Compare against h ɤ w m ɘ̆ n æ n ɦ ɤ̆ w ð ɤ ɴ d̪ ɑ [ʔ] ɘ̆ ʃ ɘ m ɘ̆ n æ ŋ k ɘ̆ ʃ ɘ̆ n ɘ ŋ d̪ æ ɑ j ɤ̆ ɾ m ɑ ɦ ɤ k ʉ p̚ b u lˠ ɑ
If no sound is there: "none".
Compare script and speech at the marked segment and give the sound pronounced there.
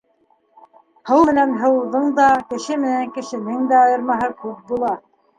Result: k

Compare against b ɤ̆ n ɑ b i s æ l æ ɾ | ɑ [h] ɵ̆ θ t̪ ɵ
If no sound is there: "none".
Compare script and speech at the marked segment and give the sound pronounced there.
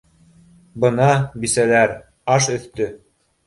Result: ʃ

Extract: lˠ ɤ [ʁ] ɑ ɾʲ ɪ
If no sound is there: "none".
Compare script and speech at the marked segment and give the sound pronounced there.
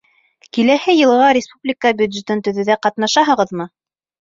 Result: ʁ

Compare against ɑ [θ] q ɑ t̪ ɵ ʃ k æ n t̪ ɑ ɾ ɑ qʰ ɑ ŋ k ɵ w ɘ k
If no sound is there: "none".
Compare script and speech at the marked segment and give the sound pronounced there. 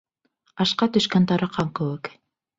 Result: ʃ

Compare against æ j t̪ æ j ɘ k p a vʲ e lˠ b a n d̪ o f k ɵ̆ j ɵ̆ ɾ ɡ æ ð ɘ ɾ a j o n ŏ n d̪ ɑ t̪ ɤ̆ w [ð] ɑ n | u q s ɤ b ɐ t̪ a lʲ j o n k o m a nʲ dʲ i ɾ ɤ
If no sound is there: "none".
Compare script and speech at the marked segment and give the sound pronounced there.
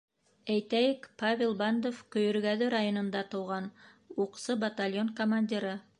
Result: ʁ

